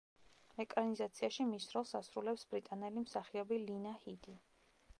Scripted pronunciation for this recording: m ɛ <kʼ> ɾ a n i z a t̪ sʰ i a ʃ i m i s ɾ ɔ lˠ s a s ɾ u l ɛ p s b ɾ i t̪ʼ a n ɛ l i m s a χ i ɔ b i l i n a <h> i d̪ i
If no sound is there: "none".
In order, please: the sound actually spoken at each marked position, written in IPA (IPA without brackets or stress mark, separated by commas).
kʼ, h